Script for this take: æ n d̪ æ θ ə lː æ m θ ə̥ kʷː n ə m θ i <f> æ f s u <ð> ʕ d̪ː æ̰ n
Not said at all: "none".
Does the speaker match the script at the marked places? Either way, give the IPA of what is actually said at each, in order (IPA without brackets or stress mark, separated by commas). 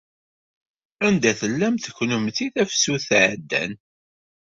θ, θ